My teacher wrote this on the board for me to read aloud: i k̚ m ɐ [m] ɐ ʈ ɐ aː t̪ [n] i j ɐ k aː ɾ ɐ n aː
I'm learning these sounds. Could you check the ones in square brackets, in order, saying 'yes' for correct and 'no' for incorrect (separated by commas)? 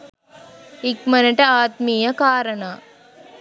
no, no